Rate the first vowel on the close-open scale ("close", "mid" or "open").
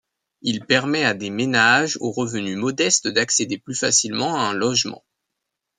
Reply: close